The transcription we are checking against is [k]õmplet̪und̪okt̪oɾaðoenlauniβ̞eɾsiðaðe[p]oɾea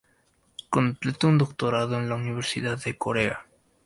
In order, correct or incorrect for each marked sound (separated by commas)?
correct, incorrect